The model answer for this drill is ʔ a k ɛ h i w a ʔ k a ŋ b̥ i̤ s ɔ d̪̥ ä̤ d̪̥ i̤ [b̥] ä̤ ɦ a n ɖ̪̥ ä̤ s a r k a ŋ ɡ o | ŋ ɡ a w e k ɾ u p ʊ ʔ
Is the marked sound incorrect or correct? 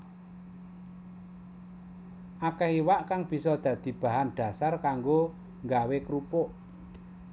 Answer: correct